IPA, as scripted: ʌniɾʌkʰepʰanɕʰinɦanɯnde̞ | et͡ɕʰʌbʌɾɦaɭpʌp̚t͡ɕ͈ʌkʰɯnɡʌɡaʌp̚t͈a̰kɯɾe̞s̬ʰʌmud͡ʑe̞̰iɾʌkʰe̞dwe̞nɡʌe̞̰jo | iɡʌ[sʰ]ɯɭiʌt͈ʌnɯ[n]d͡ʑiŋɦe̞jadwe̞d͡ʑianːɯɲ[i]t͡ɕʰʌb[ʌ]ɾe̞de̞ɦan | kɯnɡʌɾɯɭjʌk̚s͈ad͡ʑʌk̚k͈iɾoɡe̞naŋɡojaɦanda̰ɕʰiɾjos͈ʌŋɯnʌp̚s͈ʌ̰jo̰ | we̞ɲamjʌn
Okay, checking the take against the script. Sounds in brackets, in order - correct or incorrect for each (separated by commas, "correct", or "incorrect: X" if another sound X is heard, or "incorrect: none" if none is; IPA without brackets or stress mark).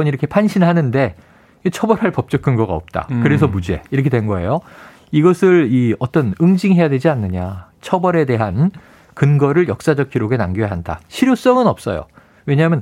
correct, incorrect: ŋ, incorrect: a, correct